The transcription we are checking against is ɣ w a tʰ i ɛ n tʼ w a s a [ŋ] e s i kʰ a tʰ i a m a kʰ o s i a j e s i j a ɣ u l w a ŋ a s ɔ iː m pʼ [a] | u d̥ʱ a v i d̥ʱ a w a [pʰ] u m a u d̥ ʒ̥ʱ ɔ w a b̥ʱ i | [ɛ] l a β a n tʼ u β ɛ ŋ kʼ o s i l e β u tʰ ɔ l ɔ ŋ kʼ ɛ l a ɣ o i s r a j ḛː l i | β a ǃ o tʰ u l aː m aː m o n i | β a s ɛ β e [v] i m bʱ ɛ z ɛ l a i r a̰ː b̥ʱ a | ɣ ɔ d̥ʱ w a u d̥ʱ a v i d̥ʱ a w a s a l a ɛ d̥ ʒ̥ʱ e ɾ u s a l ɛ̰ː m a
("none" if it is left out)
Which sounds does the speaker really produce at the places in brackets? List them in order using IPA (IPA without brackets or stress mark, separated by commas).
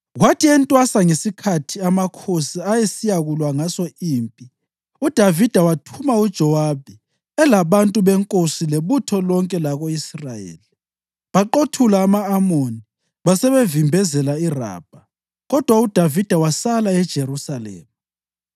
ŋ, i, tʰ, ɛ, v